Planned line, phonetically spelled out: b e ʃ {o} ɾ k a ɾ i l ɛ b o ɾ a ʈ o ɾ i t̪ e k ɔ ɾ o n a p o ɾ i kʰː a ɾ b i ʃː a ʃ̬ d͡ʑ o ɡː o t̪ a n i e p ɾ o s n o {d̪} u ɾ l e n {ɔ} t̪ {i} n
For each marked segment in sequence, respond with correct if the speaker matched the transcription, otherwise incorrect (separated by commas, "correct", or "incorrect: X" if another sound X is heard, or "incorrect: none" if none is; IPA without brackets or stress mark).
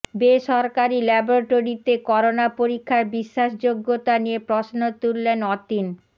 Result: incorrect: ɔ, incorrect: t̪, correct, correct